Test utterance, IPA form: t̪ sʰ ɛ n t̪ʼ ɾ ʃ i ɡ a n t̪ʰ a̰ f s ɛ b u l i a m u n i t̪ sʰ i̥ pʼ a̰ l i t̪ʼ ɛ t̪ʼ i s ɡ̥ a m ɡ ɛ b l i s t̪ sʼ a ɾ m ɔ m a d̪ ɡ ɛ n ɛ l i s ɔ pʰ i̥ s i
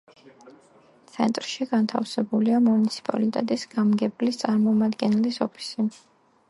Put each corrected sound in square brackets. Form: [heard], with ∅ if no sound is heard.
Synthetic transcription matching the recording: t̪ sʰ ɛ n t̪ʼ ɾ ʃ i ɡ a n t̪ʰ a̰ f s ɛ b u l i a m u n i t̪ sʰ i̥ pʼ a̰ l i t̪ʼ ɛ t̪ʼ i s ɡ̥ a m ɡ ɛ b l i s t̪ sʼ a ɾ m ɔ m a d̪ ɡ ɛ n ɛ l i s ɔ pʰ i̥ s i